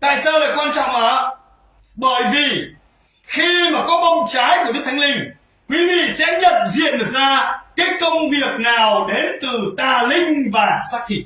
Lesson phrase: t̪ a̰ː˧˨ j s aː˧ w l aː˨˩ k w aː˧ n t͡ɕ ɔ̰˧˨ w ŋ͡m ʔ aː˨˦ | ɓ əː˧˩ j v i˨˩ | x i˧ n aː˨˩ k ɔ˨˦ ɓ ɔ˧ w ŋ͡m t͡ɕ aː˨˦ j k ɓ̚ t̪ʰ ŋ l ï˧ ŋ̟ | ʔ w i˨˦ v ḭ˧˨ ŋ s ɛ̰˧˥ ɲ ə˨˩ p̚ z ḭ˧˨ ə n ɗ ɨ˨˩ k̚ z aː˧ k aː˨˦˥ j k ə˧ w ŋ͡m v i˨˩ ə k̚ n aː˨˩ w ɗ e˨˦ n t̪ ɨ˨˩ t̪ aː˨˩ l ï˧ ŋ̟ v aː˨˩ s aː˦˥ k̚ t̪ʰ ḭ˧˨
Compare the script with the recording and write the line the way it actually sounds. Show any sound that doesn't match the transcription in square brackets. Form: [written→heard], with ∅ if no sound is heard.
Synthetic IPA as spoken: t̪ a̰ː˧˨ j s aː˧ w l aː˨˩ k w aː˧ n t͡ɕ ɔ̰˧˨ w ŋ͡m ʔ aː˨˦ | ɓ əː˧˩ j v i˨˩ | x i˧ [n→m] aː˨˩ k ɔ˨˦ ɓ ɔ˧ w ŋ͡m t͡ɕ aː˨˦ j k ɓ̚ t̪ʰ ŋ l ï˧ ŋ̟ | [ʔ→k] w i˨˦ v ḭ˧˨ [ŋ→∅] s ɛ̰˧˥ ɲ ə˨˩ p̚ z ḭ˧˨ ə n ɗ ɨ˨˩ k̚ z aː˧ k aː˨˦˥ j k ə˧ w ŋ͡m v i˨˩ ə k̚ n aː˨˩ w ɗ e˨˦ n t̪ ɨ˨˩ t̪ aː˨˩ l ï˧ ŋ̟ v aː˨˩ s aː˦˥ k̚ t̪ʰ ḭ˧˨

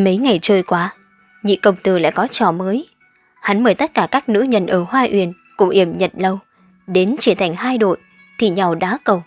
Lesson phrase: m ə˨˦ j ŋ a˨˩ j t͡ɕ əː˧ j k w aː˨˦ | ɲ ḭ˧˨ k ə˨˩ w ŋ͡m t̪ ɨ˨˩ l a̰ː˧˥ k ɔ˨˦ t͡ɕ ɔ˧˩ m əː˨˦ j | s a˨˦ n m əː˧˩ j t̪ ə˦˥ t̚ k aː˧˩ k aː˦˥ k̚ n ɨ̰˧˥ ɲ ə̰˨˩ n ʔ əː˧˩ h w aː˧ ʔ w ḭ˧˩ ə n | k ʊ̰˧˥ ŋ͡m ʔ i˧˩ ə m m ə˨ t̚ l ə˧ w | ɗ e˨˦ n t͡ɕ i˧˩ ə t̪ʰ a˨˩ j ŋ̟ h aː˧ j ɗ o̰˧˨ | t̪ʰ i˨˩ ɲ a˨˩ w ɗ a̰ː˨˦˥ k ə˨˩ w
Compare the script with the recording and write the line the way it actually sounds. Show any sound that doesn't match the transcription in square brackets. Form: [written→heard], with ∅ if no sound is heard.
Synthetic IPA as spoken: m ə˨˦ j ŋ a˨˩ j t͡ɕ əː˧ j k w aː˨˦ | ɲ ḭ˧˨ k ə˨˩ w ŋ͡m t̪ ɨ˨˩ l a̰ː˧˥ k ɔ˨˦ t͡ɕ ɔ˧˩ m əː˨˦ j | [s→h] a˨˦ n m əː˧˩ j t̪ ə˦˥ t̚ k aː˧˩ k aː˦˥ k̚ n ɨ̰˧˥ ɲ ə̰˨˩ n ʔ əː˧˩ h w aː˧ ʔ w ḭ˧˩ ə n | k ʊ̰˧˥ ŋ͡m ʔ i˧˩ ə m [m→ɲ] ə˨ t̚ l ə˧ w | ɗ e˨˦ n t͡ɕ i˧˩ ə t̪ʰ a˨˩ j ŋ̟ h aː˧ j ɗ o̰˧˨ | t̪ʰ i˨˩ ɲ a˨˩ w ɗ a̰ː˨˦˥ k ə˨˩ w

